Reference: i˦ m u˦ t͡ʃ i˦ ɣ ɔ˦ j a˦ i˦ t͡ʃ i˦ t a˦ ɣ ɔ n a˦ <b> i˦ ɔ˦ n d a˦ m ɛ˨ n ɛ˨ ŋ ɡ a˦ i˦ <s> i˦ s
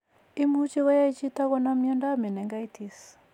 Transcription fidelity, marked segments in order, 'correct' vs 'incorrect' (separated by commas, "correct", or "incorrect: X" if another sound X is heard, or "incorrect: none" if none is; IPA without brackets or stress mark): incorrect: m, incorrect: t